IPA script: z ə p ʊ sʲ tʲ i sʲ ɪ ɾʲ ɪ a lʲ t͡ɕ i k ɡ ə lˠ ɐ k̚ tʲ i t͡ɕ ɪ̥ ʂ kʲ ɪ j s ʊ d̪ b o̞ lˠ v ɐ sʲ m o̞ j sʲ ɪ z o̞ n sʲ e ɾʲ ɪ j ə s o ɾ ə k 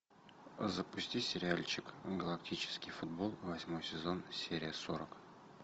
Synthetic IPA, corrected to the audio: z ə p ʊ sʲ tʲ i sʲ ɪ ɾʲ ɪ a lʲ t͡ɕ ɪ k ɡ ə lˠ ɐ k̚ tʲ i t͡ɕ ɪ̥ s kʲ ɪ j f ʊ d̪ b o̞ lˠ v ɐ sʲ m o̞ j sʲ ɪ z o̞ n sʲ e ɾʲ ɪ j ə s o ɾ ə k